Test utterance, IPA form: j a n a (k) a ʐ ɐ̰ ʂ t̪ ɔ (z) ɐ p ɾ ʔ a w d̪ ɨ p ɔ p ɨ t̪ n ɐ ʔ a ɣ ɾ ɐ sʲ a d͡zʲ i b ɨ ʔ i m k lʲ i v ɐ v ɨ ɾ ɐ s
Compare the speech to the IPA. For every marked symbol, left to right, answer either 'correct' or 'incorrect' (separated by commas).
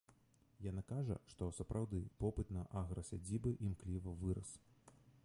correct, incorrect